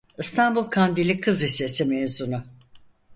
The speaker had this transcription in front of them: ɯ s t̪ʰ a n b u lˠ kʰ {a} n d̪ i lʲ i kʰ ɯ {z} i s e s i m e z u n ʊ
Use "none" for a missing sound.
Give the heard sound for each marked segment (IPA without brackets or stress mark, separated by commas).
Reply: a, z